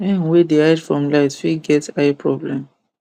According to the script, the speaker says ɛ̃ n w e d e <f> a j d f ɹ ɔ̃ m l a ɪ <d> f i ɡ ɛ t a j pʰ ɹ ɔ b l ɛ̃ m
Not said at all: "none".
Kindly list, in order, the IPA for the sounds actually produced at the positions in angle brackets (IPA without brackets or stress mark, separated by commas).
none, t